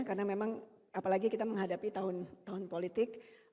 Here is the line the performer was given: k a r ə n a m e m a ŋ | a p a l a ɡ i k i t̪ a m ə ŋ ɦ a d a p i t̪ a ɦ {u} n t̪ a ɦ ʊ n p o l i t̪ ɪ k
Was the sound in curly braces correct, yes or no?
no